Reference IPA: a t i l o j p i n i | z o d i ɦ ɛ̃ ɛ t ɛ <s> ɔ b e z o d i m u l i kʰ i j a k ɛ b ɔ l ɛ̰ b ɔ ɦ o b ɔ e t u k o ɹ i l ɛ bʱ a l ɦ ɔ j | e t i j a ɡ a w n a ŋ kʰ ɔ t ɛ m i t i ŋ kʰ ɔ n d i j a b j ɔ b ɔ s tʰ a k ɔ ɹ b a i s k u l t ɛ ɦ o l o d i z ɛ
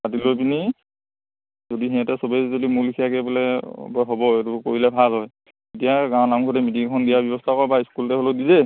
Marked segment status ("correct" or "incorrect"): correct